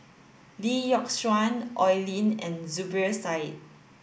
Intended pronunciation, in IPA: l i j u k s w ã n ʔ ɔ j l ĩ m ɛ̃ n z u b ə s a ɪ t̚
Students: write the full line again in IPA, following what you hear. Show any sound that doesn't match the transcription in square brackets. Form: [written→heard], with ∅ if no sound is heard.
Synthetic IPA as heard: l i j [u→ɔ] k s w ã n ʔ ɔ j l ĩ [m→n] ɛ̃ n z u b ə s a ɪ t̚

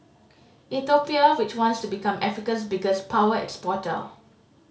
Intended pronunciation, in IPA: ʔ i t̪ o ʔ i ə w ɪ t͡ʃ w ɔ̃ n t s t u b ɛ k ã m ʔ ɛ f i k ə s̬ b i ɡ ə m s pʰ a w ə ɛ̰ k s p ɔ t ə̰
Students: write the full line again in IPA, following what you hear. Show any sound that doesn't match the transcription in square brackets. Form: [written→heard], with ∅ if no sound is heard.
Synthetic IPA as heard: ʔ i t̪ o [ʔ→p] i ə w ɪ t͡ʃ w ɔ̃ n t s t u b [ɛ→i] k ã m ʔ ɛ f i k ə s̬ b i ɡ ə [m→∅] s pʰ a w ə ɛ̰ k s p ɔ t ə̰

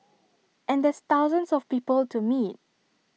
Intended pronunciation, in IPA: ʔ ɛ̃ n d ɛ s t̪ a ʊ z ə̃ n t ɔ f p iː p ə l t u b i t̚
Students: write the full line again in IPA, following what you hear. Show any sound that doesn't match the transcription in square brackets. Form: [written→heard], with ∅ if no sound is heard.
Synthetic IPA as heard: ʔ ɛ̃ n d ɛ s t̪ a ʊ z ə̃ n [t→s] ɔ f p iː p ə l t u [b→m] i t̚

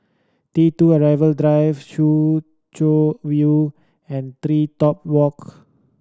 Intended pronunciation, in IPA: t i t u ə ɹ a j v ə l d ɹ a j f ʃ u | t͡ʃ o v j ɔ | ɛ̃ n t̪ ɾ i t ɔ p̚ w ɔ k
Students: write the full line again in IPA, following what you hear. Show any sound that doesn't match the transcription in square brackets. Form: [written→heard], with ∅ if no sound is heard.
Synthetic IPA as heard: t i t u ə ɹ a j v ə l d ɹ a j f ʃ u | t͡ʃ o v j [ɔ→u] | ɛ̃ n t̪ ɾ i t ɔ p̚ w ɔ k

